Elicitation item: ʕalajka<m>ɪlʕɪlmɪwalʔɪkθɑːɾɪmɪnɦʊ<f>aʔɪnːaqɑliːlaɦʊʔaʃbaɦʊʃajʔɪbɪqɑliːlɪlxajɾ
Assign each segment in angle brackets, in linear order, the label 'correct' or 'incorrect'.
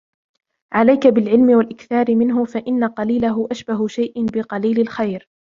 incorrect: b, correct

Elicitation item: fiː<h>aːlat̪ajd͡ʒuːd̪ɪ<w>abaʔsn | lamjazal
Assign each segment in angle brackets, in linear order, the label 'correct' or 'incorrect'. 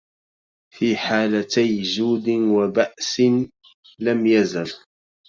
incorrect: ħ, correct

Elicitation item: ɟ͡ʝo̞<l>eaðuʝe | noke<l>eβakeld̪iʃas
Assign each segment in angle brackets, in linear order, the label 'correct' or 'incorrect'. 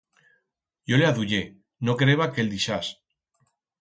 correct, incorrect: ɾ

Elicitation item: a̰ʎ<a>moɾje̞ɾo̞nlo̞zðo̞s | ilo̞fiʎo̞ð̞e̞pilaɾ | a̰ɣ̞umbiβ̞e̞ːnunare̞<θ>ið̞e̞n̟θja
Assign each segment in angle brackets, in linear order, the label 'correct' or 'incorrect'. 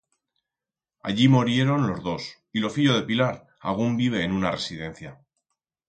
incorrect: i, incorrect: s

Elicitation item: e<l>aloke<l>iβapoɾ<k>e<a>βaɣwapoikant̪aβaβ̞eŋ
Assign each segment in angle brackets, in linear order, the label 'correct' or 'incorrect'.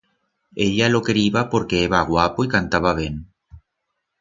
incorrect: ʎ, incorrect: ɾ, correct, incorrect: e

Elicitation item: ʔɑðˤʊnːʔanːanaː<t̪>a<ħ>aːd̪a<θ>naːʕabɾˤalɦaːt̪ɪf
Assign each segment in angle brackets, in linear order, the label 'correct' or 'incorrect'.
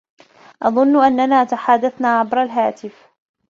correct, correct, correct

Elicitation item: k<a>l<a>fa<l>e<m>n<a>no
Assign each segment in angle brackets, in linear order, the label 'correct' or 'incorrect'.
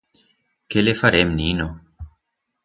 incorrect: e, incorrect: e, incorrect: ɾ, correct, incorrect: i

